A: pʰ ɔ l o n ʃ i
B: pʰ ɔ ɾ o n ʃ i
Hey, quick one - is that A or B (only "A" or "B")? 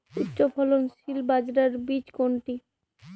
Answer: A